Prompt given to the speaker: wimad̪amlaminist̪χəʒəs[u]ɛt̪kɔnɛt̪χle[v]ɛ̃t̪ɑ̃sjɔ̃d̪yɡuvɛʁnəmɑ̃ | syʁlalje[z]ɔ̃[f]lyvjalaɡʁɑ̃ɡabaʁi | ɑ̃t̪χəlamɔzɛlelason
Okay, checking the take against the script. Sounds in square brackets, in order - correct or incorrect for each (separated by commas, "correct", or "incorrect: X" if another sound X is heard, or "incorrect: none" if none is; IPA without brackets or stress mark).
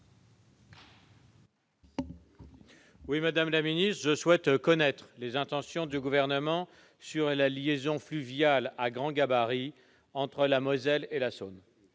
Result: incorrect: w, incorrect: z, correct, correct